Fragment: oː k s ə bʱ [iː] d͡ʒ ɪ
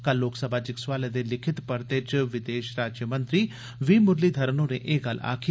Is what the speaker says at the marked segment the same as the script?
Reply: no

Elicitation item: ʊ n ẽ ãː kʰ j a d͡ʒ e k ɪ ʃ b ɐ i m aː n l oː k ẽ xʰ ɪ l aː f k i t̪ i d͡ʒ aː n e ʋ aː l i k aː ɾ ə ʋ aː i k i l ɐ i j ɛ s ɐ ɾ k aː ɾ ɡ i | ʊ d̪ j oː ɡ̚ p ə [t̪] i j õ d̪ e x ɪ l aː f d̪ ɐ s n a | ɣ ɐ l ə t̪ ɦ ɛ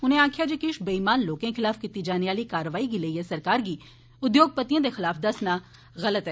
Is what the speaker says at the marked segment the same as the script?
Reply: yes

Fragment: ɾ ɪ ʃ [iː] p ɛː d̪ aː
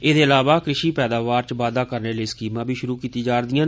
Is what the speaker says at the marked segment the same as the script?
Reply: yes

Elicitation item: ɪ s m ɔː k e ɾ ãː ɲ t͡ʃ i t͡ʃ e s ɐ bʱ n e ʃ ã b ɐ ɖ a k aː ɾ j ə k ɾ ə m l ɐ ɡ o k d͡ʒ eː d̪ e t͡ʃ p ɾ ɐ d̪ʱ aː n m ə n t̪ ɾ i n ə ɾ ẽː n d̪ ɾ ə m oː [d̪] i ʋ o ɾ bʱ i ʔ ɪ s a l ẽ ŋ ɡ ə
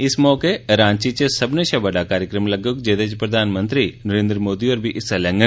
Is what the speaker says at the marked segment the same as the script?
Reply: yes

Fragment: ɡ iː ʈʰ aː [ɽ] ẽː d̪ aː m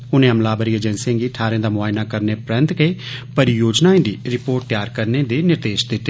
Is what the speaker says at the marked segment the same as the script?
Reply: no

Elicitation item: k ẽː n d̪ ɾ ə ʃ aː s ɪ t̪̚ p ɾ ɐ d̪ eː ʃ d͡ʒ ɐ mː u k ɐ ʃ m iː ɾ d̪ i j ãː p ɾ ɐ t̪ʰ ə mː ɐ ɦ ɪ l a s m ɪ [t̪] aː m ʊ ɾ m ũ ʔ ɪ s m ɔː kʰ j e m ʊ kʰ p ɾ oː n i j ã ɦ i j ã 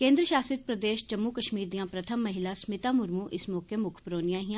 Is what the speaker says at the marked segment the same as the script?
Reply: yes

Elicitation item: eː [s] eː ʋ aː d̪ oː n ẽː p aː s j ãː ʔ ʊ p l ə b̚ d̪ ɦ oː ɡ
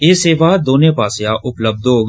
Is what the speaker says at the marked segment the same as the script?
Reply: yes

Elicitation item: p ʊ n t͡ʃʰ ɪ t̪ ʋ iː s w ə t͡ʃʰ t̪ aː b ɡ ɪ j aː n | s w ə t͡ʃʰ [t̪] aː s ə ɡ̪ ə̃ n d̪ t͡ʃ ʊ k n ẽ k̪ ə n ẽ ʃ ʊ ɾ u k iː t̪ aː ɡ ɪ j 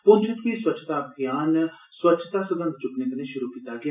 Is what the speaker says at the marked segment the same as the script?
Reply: yes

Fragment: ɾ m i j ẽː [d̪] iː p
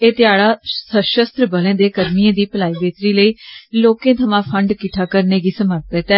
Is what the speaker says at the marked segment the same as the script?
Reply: yes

